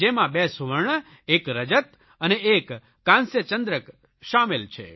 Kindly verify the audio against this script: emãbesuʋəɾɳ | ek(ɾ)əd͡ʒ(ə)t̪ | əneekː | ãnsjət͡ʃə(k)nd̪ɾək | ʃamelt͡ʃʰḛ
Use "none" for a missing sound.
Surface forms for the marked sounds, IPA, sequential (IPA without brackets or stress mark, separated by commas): ɾ, ə, none